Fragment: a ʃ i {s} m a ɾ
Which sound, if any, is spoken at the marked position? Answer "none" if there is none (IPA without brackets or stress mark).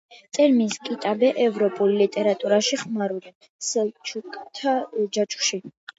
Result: χ